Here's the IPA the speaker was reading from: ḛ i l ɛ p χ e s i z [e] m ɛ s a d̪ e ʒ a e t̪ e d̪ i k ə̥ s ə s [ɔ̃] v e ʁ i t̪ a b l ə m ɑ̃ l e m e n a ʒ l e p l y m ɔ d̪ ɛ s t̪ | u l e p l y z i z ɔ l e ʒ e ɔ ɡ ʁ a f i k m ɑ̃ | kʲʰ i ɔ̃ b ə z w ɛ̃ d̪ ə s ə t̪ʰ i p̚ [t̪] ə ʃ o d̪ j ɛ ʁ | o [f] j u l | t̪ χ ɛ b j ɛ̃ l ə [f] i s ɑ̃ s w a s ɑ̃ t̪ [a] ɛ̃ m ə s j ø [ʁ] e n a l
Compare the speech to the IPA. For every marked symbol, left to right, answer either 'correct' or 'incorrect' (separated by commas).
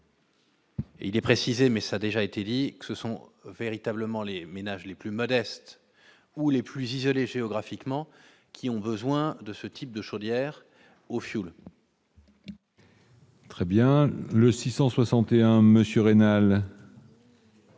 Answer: correct, correct, incorrect, correct, incorrect, incorrect, correct